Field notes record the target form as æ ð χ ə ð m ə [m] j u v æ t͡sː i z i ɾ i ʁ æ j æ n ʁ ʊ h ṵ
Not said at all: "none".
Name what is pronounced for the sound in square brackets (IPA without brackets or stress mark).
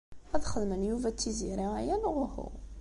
n